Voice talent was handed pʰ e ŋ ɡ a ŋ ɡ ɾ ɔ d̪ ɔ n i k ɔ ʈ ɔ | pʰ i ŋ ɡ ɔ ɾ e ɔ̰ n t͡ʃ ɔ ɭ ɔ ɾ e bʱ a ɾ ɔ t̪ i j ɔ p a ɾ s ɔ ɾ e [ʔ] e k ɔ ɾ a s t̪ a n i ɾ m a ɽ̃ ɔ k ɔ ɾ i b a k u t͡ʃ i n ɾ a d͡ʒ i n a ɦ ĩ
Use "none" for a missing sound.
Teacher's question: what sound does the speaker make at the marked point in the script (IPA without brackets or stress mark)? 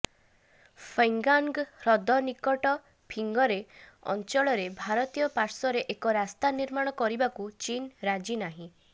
ʔ